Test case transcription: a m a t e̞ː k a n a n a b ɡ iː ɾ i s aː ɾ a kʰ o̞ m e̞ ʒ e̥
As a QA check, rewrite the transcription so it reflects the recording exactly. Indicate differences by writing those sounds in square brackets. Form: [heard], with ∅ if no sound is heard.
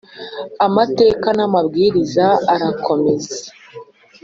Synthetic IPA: a m a t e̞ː k a n a [m] a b ɡ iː ɾ i [z] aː ɾ a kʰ o̞ m e̞ [z] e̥